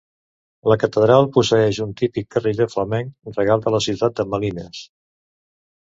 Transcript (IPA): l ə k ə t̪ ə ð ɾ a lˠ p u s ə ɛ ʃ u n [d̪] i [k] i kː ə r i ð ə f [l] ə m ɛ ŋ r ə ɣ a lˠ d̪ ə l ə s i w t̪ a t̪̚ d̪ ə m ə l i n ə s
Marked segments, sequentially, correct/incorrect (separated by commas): incorrect, incorrect, correct